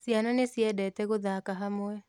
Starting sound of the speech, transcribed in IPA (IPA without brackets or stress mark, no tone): s